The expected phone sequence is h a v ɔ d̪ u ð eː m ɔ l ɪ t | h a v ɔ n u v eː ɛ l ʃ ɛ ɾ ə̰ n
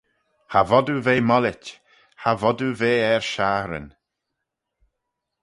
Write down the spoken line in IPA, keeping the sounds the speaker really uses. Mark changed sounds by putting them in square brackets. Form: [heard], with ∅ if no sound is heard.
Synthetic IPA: h a v ɔ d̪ u [v] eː m ɔ l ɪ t | h a v ɔ [d] u v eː ɛ [ɹ] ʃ [a] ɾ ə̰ n